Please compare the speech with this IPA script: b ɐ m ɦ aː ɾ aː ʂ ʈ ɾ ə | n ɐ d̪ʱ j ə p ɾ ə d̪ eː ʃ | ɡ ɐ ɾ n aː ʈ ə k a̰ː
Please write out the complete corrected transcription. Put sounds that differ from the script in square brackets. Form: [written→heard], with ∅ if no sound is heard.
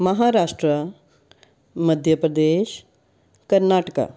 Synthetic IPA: [b→m] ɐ [m→∅] ɦ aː ɾ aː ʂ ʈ ɾ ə | [n→m] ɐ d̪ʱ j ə p ɾ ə d̪ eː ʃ | [ɡ→k] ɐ ɾ n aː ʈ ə k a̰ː